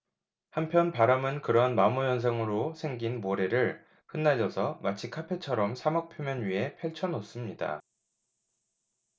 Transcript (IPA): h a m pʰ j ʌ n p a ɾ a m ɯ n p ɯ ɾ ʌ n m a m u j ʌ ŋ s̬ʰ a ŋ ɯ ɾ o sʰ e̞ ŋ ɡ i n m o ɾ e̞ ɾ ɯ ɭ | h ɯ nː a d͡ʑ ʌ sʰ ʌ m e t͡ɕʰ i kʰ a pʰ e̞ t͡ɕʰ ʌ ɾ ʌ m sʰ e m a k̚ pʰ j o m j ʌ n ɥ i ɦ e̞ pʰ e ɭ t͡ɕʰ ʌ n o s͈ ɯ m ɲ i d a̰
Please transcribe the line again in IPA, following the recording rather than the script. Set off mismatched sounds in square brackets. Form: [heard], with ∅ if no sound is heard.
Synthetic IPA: h a m pʰ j ʌ n p a ɾ a m ɯ n [k] ɯ ɾ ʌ n m a m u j ʌ [n] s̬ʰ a ŋ ɯ ɾ o sʰ e̞ ŋ ɡ i n m o ɾ e̞ ɾ ɯ ɭ | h ɯ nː a d͡ʑ ʌ sʰ ʌ m [a] t͡ɕʰ i kʰ a pʰ e̞ t͡ɕʰ ʌ ɾ ʌ m sʰ [a] m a k̚ pʰ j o m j ʌ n ɥ i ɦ e̞ pʰ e ɭ t͡ɕʰ ʌ n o s͈ ɯ m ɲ i d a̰

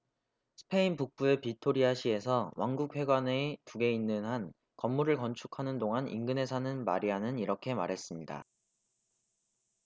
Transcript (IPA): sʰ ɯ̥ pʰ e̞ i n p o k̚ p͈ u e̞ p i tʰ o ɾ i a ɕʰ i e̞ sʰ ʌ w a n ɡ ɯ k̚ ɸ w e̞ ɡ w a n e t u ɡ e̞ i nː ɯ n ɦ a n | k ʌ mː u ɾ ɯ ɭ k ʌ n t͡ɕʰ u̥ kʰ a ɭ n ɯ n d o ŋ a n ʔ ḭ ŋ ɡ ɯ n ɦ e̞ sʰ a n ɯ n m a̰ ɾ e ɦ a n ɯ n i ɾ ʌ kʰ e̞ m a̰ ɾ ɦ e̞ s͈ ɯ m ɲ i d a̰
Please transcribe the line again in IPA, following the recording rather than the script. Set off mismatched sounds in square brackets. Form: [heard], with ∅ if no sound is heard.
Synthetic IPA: sʰ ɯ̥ pʰ e̞ i n p [u] k̚ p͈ u e̞ p i tʰ o ɾ i a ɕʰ i e̞ sʰ ʌ w a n ɡ [u] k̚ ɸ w e̞ ɡ w a n e t u ɡ e̞ i nː ɯ n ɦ a n | k ʌ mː u ɾ ɯ ɭ k ʌ n t͡ɕʰ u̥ kʰ a [∅] n ɯ n d o ŋ a n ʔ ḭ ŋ ɡ ɯ n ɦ e̞ sʰ a n ɯ n m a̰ ɾ [i] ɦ a n ɯ n i ɾ ʌ kʰ e̞ m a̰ ɾ ɦ e̞ s͈ ɯ m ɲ i d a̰

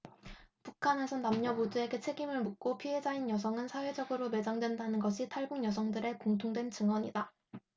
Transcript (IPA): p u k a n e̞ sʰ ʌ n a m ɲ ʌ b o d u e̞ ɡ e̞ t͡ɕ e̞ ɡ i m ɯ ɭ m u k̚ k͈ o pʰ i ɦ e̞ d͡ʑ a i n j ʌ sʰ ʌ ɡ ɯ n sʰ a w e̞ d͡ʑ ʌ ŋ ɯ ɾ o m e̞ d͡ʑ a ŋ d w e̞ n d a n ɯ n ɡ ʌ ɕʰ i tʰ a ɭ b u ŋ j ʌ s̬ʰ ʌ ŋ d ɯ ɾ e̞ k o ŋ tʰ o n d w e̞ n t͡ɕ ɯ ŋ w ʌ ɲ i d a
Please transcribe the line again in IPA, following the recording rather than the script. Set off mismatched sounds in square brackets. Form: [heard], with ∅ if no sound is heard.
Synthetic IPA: p u [kʰ] a n e̞ sʰ ʌ n a m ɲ ʌ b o d u e̞ ɡ e̞ [t͡ɕʰ] e̞ ɡ i m ɯ ɭ m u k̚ k͈ o pʰ i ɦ e̞ d͡ʑ a i n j ʌ sʰ ʌ [ŋ] ɯ n sʰ a w e̞ d͡ʑ ʌ [ɡ] ɯ ɾ o m e̞ d͡ʑ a ŋ d w e̞ n d a n ɯ n ɡ ʌ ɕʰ i tʰ a ɭ b u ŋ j ʌ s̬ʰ ʌ ŋ d ɯ ɾ e̞ k o ŋ tʰ o [ŋ] d w e̞ n t͡ɕ ɯ ŋ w ʌ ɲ i d a

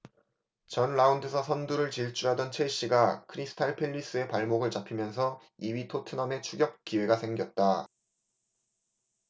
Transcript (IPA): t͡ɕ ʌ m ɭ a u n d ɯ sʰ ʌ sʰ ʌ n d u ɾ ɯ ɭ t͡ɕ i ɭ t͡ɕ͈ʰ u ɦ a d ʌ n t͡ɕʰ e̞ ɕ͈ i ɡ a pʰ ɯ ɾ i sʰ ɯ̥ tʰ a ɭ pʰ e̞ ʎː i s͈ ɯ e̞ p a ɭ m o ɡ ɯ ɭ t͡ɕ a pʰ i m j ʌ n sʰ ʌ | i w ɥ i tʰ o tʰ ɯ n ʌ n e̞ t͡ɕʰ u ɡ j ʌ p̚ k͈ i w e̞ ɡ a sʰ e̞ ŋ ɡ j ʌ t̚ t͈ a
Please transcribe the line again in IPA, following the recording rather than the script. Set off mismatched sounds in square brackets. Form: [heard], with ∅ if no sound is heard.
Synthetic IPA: t͡ɕ ʌ [n] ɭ a u n d ɯ sʰ ʌ sʰ ʌ n d u ɾ ɯ ɭ t͡ɕ i ɭ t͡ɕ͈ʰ u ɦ a d ʌ n t͡ɕʰ e̞ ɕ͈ i ɡ a [kʰ] ɯ ɾ i sʰ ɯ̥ tʰ a ɭ pʰ e̞ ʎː i s͈ ɯ e̞ p a ɭ m o ɡ ɯ ɭ t͡ɕ a pʰ i m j ʌ n sʰ ʌ | i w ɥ i tʰ o tʰ ɯ n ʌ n e̞ t͡ɕʰ u ɡ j ʌ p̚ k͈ i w e̞ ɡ a sʰ e̞ ŋ ɡ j ʌ t̚ t͈ a

